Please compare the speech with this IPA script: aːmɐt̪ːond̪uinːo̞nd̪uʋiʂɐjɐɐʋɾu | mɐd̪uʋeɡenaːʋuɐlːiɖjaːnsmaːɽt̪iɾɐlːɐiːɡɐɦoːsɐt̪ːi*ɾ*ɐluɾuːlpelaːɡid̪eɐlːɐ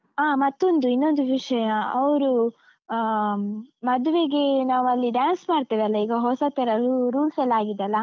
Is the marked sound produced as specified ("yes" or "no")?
yes